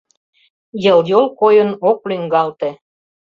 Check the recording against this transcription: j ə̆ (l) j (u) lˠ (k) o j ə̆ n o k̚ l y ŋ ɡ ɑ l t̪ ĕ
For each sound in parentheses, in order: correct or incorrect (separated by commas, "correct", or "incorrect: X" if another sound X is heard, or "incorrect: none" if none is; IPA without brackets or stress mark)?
correct, incorrect: o, correct